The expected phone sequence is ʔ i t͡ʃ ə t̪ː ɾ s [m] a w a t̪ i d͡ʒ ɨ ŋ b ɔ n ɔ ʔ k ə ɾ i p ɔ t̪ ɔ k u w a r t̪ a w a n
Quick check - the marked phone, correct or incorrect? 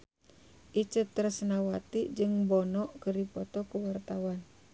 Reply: incorrect